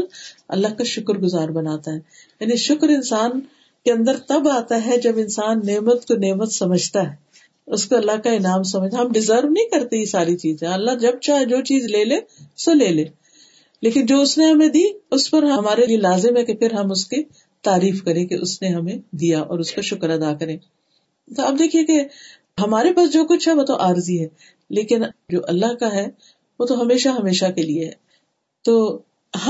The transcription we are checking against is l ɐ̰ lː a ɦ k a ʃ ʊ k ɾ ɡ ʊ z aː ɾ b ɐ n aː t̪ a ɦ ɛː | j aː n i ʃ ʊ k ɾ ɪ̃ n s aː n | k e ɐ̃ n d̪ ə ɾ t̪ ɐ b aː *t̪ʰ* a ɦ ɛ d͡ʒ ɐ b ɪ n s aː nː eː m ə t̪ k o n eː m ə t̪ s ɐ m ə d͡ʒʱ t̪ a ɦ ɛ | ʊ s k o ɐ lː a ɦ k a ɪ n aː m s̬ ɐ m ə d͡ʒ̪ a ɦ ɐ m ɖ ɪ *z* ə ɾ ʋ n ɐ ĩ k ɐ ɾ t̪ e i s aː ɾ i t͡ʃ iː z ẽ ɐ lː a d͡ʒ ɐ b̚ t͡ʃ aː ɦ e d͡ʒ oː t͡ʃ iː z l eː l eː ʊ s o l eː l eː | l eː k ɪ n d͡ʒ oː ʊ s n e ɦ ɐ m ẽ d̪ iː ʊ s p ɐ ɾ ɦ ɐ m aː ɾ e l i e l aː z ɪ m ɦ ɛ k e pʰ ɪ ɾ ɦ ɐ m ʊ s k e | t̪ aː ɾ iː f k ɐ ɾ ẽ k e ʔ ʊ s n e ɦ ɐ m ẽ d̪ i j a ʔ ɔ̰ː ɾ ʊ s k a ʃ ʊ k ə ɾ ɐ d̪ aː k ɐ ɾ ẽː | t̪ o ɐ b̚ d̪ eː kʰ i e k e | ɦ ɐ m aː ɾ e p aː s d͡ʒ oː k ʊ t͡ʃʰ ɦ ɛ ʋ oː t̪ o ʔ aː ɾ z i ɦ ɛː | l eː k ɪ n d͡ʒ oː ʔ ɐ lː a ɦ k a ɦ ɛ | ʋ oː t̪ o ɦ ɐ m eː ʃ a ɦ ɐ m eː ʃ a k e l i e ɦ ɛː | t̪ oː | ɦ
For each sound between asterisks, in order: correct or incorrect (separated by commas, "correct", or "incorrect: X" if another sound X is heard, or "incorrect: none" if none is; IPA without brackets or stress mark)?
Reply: incorrect: t̪, correct